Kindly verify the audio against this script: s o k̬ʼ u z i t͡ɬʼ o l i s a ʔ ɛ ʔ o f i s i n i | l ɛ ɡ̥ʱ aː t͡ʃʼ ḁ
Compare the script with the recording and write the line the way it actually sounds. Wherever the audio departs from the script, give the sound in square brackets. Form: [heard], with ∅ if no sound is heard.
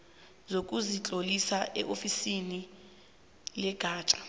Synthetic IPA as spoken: [z] o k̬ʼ u z i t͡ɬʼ o l i s a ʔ ɛ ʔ o f i s i n i | l ɛ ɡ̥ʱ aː t͡ʃʼ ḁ